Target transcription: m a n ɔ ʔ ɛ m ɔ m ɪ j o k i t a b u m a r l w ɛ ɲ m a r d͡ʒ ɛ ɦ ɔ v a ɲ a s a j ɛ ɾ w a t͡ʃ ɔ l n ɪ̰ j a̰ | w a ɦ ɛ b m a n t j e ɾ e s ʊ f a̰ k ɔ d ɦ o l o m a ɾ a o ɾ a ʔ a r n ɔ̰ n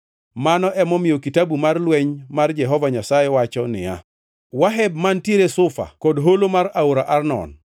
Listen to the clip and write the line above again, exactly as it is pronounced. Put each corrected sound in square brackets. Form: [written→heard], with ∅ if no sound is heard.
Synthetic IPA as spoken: m a n ɔ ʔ ɛ m ɔ m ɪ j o k i t a b u m a r l w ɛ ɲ m a r d͡ʒ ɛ ɦ ɔ v a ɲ a s a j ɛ [ɾ→∅] w a t͡ʃ ɔ [l→∅] n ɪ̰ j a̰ | w a ɦ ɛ b m a n t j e ɾ e s ʊ f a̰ k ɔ d ɦ o l o m a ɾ a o ɾ a ʔ a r n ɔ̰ n